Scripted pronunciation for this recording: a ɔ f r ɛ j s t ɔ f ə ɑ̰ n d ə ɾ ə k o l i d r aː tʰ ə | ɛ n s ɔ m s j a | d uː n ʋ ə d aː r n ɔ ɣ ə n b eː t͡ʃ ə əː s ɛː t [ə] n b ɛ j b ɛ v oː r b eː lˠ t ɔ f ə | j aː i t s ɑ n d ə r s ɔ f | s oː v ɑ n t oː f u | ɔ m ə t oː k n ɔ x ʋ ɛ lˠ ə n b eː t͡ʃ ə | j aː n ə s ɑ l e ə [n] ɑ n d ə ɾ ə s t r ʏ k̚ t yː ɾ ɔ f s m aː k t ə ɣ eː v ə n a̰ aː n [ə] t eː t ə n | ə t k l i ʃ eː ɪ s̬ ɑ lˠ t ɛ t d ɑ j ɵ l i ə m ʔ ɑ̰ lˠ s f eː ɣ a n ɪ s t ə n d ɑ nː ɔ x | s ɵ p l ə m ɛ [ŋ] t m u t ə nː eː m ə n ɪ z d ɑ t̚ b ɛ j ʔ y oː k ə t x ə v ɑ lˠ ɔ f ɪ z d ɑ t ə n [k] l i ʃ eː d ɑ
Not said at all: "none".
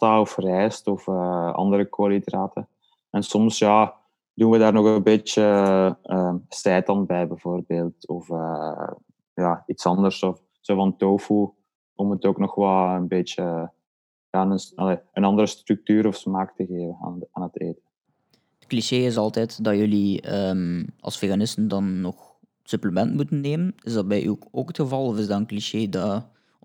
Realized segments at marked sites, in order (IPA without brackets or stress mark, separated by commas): ɑ, n, ə, n, k